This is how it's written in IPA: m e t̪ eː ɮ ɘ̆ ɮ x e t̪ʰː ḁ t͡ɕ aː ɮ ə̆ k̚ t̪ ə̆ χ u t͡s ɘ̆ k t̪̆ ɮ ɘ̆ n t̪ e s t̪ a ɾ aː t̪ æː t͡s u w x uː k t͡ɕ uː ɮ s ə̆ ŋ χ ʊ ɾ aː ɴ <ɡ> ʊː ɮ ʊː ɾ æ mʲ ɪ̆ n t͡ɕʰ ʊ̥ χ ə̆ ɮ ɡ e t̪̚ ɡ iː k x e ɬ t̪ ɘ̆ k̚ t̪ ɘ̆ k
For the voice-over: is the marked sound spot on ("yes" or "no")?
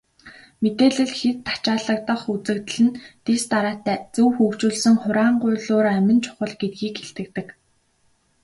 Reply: no